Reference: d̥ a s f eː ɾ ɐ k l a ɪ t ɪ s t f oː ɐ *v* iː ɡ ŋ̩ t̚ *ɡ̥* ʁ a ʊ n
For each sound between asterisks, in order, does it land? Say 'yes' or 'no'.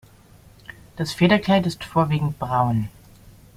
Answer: yes, no

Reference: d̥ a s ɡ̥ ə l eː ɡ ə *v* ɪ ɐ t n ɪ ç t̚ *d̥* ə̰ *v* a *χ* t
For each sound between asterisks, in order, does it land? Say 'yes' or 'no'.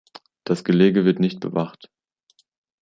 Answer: yes, no, yes, yes

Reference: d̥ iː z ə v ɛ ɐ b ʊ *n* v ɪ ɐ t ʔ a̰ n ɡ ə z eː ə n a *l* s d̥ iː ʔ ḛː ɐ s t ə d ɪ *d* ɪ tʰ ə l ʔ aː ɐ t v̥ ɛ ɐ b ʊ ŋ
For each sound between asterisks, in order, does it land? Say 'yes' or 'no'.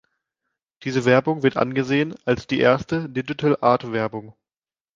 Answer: no, yes, no

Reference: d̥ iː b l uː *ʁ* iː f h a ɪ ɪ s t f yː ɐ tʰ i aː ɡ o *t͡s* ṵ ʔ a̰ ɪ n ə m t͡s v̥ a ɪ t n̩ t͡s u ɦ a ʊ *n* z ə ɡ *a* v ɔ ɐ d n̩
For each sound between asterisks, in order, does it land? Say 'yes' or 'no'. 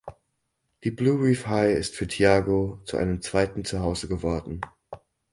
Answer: yes, yes, no, no

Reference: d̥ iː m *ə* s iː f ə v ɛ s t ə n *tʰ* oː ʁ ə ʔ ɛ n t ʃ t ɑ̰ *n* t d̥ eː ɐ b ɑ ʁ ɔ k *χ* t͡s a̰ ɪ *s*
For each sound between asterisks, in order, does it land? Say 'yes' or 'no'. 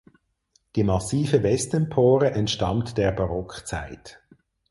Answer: no, no, yes, yes, no

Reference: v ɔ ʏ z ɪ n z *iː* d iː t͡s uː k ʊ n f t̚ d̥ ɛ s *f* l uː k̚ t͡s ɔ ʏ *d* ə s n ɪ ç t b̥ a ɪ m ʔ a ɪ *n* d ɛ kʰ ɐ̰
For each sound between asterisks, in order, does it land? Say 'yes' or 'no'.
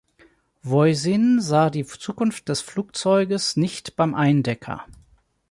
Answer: no, yes, no, yes

